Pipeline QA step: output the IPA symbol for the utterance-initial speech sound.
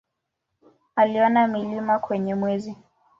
a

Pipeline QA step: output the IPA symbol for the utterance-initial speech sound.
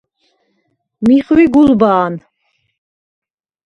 m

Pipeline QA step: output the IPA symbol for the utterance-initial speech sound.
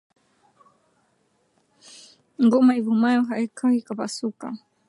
ŋ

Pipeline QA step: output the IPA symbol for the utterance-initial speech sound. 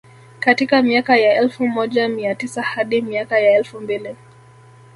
k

